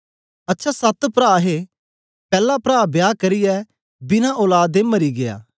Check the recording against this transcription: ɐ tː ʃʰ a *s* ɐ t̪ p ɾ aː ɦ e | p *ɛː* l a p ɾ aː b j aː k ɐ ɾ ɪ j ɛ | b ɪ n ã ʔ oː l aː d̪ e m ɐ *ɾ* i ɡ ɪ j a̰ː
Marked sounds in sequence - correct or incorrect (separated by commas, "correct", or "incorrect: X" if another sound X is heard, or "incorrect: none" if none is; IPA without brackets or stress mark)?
correct, correct, correct